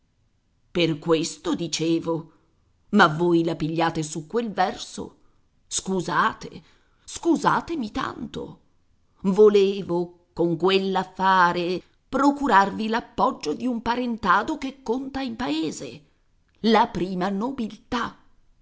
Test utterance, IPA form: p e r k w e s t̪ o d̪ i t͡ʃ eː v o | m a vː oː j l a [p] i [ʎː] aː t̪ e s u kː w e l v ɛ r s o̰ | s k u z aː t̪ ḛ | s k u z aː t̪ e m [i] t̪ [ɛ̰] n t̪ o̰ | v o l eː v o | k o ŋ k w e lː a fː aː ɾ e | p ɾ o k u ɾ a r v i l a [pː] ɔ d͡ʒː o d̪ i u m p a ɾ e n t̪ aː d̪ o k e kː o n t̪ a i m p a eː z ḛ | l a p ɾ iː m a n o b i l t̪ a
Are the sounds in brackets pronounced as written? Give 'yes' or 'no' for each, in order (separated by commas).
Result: yes, yes, yes, no, yes